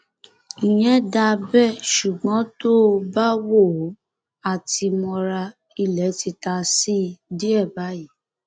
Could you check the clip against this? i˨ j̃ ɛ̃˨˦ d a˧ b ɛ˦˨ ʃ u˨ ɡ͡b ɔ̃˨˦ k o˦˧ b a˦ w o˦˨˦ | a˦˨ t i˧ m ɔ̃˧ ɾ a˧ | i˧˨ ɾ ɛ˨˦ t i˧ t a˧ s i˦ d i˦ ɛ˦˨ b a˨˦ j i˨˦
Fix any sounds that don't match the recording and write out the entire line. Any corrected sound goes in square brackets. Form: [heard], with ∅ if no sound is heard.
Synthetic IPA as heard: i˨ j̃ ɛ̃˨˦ d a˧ b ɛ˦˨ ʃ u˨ ɡ͡b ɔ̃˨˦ [t] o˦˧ b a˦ w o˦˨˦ | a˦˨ t i˧ m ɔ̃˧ ɾ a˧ | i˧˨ [l] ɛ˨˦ t i˧ t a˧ s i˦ d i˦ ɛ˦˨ b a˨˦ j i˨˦